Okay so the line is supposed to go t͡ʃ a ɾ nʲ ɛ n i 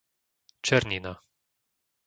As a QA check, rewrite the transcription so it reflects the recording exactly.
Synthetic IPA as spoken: t͡ʃ ɛ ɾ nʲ i n a